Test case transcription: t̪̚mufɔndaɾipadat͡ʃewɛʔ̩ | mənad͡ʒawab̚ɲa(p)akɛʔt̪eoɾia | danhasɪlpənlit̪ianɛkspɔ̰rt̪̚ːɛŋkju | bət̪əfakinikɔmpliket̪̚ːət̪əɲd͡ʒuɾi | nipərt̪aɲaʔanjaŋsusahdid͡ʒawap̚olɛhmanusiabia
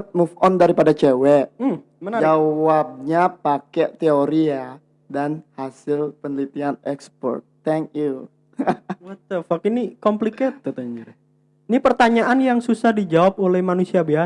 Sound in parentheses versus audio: correct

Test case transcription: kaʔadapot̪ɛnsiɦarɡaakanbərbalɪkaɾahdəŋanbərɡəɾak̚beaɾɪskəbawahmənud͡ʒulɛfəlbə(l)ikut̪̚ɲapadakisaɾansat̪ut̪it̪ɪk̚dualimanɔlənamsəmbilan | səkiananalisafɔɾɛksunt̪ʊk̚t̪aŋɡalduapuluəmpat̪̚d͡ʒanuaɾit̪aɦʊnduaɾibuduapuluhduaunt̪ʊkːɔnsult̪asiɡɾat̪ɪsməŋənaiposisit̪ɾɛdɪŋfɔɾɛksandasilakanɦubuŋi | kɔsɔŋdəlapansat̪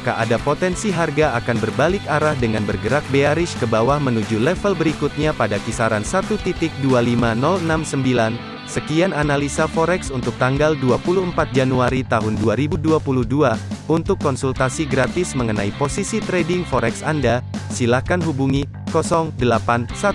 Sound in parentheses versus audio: incorrect: ɾ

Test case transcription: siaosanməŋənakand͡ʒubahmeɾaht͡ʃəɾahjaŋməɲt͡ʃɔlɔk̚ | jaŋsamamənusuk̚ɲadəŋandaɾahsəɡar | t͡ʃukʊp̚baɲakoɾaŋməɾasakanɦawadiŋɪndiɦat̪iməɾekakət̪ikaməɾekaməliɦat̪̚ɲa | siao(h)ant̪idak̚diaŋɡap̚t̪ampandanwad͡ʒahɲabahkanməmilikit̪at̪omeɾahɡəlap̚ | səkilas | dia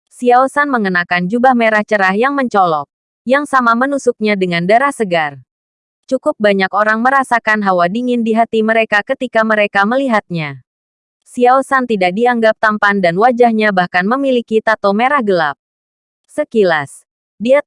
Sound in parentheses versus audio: incorrect: s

